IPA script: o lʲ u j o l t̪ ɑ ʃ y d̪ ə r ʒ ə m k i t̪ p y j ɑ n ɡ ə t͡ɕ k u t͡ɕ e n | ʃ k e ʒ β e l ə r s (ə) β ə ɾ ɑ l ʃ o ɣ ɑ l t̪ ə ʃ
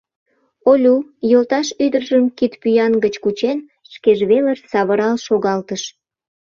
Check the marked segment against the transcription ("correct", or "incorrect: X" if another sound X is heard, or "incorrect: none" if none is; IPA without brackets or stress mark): incorrect: ɑ